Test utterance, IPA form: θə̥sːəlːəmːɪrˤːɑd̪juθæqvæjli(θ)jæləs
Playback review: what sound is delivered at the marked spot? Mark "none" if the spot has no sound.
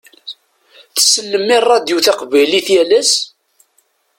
θ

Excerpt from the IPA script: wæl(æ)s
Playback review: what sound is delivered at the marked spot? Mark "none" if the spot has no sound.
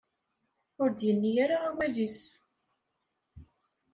i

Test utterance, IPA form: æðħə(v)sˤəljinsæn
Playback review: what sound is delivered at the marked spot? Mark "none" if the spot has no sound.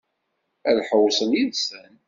w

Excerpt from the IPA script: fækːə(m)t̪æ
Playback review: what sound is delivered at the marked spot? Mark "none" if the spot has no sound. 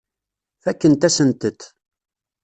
n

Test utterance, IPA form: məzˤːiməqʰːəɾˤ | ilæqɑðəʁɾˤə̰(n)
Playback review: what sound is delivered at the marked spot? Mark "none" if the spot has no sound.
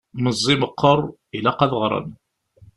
n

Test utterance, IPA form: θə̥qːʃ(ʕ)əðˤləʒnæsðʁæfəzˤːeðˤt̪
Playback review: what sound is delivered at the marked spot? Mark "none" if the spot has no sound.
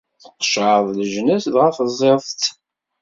ʕ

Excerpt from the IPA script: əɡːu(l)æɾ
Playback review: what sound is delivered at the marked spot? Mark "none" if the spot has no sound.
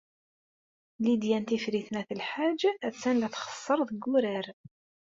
ɾ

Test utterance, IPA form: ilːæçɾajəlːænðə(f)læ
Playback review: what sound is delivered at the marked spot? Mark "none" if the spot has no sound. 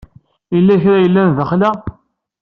χ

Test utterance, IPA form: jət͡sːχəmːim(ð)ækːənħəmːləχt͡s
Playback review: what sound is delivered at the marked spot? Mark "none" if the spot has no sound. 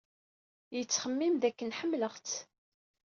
ð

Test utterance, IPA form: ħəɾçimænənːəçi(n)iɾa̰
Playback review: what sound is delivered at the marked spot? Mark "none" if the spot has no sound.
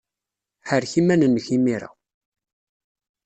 m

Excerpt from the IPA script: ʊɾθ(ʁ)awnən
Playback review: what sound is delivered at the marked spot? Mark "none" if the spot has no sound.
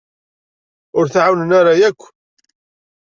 ʕ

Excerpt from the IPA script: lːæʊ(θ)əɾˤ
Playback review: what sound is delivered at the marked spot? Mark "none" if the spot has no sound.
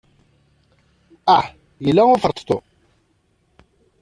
f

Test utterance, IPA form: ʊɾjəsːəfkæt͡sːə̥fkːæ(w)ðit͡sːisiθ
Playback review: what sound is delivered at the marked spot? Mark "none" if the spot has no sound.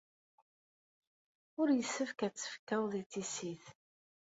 w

